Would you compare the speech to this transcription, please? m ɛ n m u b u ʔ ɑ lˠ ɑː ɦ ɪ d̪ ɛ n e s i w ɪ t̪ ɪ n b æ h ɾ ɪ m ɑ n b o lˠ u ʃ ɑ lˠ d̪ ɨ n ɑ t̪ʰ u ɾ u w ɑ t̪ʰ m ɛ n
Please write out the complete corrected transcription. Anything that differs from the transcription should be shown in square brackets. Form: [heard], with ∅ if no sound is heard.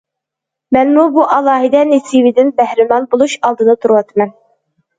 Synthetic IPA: m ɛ n m u b u ʔ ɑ lˠ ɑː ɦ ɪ d̪ ɛ n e s i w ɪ [d̪] ɪ n b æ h ɾ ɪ m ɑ n b o lˠ u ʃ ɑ lˠ d̪ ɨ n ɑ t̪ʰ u ɾ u w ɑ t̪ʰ m ɛ n